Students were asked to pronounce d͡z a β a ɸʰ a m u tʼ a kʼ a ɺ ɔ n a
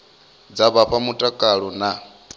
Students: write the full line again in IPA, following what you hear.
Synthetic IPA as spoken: d͡z a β a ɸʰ a m u tʼ a kʼ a ɺ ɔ n a